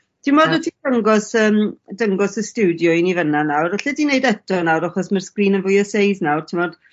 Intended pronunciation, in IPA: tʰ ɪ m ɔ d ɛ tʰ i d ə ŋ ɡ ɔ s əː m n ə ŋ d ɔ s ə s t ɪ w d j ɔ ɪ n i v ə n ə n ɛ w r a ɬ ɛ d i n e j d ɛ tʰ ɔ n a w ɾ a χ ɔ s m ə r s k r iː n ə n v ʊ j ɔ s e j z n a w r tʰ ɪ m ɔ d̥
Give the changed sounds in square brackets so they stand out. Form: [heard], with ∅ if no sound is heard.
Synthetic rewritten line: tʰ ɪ m ɔ d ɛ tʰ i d ə ŋ ɡ ɔ s əː m [d] ə ŋ [ɡ] ɔ s ə s t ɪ w d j ɔ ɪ n i v ə n [a] n [a] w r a ɬ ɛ d i n e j d ɛ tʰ ɔ n a w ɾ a χ ɔ s m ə r s k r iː n ə n v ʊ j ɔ s e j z n a w r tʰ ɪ m ɔ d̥